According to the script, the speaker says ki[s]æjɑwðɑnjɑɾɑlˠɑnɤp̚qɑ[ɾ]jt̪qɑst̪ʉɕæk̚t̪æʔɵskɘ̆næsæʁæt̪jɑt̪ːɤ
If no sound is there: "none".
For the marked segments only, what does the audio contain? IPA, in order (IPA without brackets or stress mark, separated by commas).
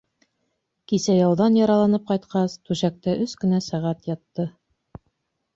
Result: s, none